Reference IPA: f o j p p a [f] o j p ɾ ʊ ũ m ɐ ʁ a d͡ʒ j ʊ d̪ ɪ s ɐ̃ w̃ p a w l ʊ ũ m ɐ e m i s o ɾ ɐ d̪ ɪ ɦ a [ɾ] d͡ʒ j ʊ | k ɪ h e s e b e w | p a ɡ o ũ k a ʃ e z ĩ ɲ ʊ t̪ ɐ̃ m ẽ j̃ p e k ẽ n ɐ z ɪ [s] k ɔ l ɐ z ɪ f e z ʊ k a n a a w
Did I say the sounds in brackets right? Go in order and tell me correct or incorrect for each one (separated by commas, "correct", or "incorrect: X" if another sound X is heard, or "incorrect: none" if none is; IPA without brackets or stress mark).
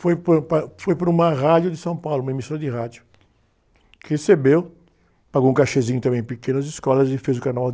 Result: correct, incorrect: none, correct